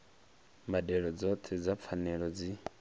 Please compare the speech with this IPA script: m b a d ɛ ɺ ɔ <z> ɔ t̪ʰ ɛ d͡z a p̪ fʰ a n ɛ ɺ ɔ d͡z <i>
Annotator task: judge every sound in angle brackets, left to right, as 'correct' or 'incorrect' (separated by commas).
incorrect, correct